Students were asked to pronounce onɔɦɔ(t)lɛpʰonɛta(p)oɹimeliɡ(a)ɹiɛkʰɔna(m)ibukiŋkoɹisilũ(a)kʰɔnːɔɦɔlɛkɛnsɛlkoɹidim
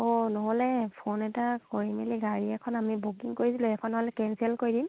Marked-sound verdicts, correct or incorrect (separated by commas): incorrect, incorrect, correct, correct, incorrect